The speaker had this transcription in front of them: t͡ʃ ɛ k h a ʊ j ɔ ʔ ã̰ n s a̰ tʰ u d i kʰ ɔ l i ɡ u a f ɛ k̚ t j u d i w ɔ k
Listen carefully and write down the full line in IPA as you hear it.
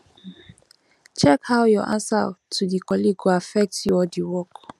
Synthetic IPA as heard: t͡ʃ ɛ k h a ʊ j ɔ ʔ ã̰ n s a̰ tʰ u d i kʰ ɔ l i ɡ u a f ɛ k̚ t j ɔ d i w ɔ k